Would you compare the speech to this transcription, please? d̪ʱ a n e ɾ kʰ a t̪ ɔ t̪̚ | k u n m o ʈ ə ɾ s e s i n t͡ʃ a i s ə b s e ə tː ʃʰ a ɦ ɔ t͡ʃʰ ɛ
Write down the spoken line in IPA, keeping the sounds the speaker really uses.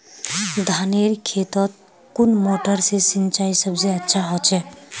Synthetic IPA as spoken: d̪ʱ a n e ɾ kʰ e t̪ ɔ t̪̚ | k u n m o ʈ ə ɾ s e s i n t͡ʃ a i s ə b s e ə tː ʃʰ a ɦ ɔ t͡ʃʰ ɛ